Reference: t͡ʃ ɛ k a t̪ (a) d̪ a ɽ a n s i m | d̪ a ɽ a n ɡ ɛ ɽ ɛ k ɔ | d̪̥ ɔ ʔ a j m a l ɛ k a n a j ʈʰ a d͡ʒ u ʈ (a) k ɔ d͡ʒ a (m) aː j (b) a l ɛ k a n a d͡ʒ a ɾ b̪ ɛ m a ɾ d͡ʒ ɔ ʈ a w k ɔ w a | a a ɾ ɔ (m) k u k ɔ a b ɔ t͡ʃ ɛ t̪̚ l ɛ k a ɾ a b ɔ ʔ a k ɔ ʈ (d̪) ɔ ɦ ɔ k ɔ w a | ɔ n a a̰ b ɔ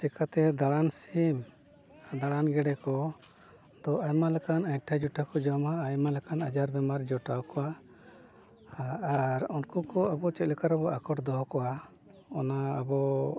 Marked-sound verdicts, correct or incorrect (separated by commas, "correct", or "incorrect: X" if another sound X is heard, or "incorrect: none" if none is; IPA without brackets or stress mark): incorrect: ɛ, correct, correct, incorrect: m, incorrect: n, correct